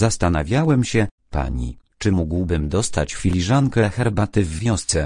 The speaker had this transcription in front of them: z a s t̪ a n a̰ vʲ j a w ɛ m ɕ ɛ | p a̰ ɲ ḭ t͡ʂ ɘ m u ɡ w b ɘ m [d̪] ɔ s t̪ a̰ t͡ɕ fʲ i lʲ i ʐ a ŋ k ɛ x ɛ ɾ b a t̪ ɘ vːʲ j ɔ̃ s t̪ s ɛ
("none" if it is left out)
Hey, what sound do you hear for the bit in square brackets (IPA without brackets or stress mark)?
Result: d̪